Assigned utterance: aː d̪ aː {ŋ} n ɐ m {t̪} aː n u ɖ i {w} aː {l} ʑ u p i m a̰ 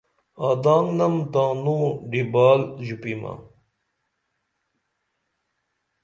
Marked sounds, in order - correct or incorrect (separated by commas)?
correct, correct, incorrect, correct